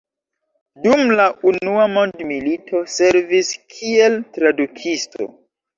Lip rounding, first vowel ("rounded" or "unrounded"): rounded